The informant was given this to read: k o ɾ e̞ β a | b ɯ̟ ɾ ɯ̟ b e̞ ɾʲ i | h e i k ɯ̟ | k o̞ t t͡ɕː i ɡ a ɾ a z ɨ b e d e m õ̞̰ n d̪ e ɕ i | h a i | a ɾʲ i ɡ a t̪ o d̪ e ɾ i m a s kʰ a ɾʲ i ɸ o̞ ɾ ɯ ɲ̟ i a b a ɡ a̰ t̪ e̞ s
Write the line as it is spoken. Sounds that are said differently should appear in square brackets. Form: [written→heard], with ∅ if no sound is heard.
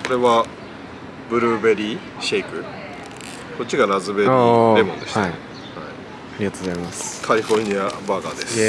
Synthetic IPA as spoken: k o ɾ e̞ β a | b ɯ̟ ɾ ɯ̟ b e̞ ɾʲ i | [h→ɕ] e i k ɯ̟ | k o̞ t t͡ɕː i ɡ a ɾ a z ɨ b e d e m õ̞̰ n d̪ e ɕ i | h a i | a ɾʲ i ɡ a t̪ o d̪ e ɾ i m a s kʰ a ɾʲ i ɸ o̞ ɾ ɯ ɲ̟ i a b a ɡ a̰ [t̪→d̪] e̞ s